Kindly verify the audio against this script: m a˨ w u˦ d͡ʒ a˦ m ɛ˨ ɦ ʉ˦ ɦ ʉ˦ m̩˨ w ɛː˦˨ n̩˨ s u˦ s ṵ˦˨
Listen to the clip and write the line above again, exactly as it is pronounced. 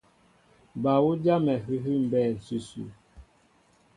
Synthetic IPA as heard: b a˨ w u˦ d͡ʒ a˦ m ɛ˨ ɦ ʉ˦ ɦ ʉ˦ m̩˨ b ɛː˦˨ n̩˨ s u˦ s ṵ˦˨